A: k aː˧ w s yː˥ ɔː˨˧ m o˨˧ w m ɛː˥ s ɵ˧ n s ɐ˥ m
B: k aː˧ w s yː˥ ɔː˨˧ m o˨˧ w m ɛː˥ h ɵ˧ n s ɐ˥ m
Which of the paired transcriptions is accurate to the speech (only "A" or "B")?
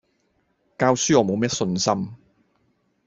A